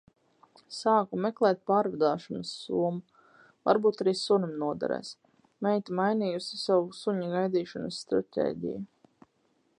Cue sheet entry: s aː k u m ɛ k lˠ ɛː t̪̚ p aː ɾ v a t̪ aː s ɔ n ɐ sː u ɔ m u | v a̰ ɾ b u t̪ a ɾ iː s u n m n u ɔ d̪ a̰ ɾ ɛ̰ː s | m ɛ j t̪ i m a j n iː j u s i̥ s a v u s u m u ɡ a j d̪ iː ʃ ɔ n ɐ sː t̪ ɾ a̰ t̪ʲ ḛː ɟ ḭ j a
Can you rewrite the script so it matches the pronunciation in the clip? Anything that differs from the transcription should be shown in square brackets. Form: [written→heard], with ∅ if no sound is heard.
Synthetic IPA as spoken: s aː k u m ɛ k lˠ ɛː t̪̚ p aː ɾ v a [t̪→d̪] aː [s→ʃ] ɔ n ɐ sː u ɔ m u | v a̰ ɾ b [u→uː] t̪ a ɾ iː s u n m n u ɔ d̪ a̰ ɾ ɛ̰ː s | m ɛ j t̪ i m a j n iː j u s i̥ s a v u s u [m→ɲ] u ɡ a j d̪ iː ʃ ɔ n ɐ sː t̪ ɾ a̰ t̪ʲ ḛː ɟ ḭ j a

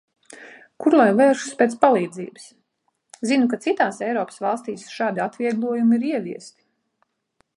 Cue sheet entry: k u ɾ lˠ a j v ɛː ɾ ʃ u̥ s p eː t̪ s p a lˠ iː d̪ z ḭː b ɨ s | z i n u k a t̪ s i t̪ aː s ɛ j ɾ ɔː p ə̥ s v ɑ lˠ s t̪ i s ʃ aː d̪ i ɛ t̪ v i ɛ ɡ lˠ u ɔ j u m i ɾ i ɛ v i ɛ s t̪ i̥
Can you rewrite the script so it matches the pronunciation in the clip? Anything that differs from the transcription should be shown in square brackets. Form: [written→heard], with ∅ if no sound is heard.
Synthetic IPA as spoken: k u ɾ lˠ a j v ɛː ɾ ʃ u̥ s p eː t̪ s p a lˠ iː d̪ z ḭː b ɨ s | z i n u k a t̪ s i t̪ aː s ɛ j ɾ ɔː p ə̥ s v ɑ lˠ s t̪ [i→iː] s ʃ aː d̪ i [ɛ→a] t̪ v i ɛ ɡ lˠ u ɔ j u m i ɾ i ɛ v i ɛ s t̪ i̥

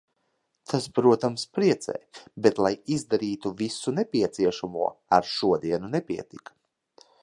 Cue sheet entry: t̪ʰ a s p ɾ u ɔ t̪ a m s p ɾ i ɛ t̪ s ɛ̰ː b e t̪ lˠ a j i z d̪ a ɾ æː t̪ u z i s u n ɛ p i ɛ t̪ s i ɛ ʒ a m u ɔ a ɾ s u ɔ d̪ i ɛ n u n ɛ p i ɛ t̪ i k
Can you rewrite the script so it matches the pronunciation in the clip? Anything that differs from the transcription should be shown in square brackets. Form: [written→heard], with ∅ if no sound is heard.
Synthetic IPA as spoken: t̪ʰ a s p ɾ u ɔ t̪ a m s p ɾ i ɛ t̪ s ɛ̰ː b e t̪ lˠ a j i z d̪ a ɾ [æː→iː] t̪ u [z→v] i s u n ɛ p i ɛ t̪ s i ɛ [ʒ→ʃ] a m u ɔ a ɾ [s→ʃ] u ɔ d̪ i ɛ n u n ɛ p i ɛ t̪ i k

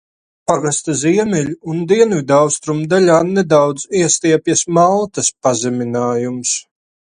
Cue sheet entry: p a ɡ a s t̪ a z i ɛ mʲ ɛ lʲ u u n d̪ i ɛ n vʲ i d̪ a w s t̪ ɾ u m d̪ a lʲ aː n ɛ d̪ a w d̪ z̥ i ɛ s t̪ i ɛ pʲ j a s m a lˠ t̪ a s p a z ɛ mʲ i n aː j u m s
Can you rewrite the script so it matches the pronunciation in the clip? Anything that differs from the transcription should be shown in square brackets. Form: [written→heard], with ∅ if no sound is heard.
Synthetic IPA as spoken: p a ɡ a s t̪ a z i ɛ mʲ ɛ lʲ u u n d̪ i ɛ n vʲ i d̪ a w s t̪ ɾ u m d̪ a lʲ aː n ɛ d̪ a w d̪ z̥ i ɛ s t̪ i ɛ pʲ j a s m a lˠ t̪ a s p a z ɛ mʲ i n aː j u m s

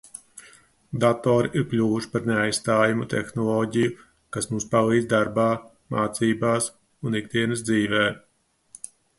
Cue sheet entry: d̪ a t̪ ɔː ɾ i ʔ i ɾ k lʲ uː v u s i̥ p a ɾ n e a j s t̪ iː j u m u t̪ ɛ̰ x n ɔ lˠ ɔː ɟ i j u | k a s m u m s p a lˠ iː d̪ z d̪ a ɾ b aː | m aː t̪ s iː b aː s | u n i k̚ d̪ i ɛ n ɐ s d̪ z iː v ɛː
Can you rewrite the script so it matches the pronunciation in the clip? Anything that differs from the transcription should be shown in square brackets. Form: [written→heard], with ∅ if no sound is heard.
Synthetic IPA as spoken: d̪ a t̪ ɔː ɾ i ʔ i ɾ k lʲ uː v u [s→ʃ] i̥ p a ɾ n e a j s t̪ [iː→aː] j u m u t̪ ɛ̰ x n ɔ lˠ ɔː ɟ i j u | k a s m u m s p a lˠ iː d̪ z d̪ a ɾ b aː | m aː t̪ s iː b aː s | u n i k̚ d̪ i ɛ n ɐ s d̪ z iː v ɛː

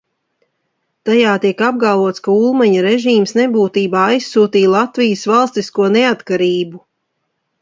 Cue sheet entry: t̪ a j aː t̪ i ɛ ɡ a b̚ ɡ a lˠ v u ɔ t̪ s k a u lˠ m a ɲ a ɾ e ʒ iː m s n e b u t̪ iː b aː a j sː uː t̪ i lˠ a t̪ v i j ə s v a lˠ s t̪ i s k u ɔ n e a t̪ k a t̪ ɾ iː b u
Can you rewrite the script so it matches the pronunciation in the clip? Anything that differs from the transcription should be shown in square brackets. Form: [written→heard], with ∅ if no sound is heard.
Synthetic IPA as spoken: t̪ a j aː t̪ i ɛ [ɡ→k] a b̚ ɡ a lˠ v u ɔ t̪ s k a u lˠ m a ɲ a ɾ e ʒ iː m s n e b [u→uː] t̪ iː b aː a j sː uː t̪ [i→iː] lˠ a t̪ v i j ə s v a lˠ s t̪ i s k u ɔ n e a t̪ k a [t̪→∅] ɾ iː b u

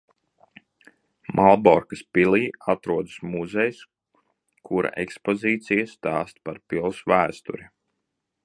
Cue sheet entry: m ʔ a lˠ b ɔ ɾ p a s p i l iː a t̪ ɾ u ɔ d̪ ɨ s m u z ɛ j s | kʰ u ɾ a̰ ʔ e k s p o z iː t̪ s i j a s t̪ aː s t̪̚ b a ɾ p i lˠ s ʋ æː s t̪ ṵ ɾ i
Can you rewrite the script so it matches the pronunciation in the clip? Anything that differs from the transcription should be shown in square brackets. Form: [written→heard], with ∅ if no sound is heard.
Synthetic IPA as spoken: m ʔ a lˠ b ɔ ɾ [p→k] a s p i l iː a t̪ ɾ u ɔ d̪ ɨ s m u z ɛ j s | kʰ u ɾ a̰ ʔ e k s p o z iː t̪ s i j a s t̪ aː s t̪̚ [b→p] a ɾ p i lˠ s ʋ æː s t̪ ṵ ɾ i

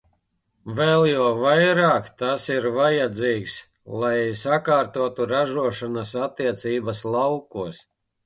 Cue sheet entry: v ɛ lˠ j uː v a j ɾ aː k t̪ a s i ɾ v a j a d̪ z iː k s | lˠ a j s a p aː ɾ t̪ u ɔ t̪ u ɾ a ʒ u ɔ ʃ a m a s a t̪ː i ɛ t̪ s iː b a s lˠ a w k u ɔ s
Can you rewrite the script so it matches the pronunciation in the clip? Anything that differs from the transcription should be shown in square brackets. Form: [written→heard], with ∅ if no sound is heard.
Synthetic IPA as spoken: v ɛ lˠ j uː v a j ɾ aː k t̪ a s i ɾ v a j a d̪ z iː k s | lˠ a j s a [p→k] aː ɾ t̪ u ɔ t̪ u ɾ a ʒ u ɔ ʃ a [m→n] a s a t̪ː i ɛ t̪ s iː b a s lˠ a w k u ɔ s

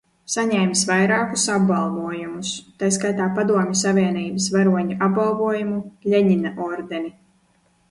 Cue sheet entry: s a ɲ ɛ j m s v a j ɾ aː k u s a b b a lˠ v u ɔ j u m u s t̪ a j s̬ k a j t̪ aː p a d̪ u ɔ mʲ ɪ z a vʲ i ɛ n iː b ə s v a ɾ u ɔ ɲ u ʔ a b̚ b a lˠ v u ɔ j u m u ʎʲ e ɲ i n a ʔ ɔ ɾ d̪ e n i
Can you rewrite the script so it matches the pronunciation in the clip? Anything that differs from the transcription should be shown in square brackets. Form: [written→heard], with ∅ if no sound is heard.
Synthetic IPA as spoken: s a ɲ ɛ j m s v a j ɾ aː k u s a b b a lˠ v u ɔ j u m u s t̪ a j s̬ k a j t̪ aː p a d̪ u ɔ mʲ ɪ [z→s] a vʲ i ɛ n iː b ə s v a ɾ u ɔ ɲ u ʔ a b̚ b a lˠ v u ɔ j u m u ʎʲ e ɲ i n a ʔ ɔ ɾ d̪ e n i

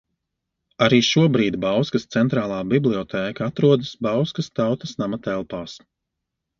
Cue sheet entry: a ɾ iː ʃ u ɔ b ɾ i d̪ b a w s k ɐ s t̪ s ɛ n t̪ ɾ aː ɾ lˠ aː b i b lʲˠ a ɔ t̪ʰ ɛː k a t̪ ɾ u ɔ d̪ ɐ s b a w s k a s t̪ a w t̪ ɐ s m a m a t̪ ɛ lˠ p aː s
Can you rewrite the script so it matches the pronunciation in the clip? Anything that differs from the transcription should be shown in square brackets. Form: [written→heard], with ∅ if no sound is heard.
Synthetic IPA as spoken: a ɾ iː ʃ u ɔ b ɾ [i→iː] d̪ b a w s k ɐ s t̪ s ɛ n t̪ ɾ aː [ɾ→∅] lˠ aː b i b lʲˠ [a→i] ɔ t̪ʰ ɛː k a t̪ ɾ u ɔ d̪ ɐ s b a w s k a s t̪ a w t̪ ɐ s [m→n] a m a t̪ ɛ lˠ p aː s

